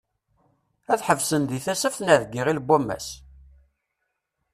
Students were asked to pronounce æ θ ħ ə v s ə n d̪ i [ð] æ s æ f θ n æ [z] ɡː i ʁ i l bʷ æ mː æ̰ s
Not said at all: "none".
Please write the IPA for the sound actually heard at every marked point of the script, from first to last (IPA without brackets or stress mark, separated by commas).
θ, ð